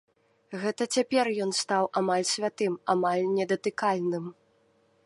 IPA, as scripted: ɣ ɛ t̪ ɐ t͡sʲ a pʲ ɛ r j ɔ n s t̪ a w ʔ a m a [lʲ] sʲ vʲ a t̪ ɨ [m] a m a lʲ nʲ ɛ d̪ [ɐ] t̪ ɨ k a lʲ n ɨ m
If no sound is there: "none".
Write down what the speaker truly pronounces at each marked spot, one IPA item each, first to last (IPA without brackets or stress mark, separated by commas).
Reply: lʲ, m, ɐ